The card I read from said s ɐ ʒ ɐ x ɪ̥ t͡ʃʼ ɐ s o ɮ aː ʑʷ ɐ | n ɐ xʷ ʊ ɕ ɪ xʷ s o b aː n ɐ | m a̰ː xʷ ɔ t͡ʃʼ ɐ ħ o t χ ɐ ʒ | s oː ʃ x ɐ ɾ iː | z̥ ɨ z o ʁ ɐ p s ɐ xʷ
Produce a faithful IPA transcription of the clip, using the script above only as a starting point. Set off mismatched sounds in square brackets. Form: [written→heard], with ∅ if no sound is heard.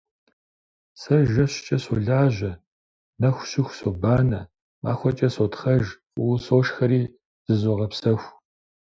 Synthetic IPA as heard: s ɐ ʒ ɐ [x→ɕ] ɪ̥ t͡ʃʼ ɐ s o ɮ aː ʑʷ ɐ | n ɐ xʷ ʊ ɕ ɪ xʷ s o b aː n ɐ | m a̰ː xʷ ɔ t͡ʃʼ ɐ [ħ→s] o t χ ɐ ʒ | s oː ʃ x ɐ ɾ iː | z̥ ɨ z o ʁ ɐ p s ɐ xʷ